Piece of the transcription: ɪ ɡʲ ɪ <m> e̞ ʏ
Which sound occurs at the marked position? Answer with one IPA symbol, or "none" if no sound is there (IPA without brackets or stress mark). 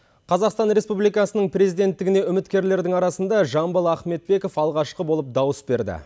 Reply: n